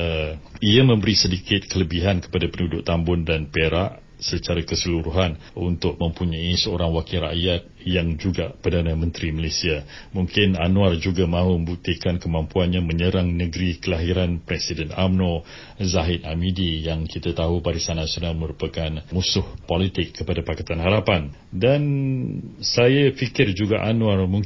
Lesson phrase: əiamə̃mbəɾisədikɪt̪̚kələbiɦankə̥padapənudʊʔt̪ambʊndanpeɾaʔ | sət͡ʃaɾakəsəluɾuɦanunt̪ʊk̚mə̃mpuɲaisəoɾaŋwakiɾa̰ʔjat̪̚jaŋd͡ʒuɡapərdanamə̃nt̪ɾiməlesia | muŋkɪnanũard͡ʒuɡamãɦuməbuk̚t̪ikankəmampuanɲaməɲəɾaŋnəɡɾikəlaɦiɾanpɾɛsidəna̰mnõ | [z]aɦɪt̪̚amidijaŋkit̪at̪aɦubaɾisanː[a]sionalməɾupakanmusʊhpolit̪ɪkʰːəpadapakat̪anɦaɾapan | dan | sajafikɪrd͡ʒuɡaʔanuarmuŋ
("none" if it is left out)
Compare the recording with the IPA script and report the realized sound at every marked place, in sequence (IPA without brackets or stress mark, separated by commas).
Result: z, a